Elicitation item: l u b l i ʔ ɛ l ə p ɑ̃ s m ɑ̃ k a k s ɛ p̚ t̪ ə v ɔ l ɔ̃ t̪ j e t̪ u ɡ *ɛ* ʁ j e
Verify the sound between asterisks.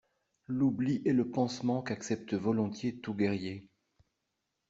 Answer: correct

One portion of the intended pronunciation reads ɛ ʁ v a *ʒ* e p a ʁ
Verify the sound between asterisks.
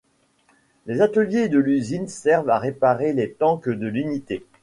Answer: incorrect: ʁ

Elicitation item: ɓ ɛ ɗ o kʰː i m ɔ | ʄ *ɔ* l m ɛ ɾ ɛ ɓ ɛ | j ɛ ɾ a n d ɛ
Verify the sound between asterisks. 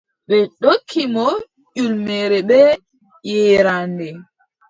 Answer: incorrect: u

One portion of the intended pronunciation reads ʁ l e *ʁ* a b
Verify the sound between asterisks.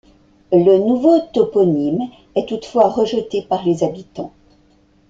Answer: incorrect: z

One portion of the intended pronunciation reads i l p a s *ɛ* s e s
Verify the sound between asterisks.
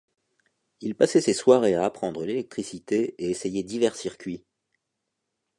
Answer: correct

